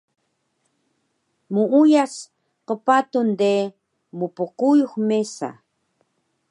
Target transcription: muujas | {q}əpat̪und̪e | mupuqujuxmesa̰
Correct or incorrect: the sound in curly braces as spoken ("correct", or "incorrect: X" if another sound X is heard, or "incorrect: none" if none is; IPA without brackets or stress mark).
correct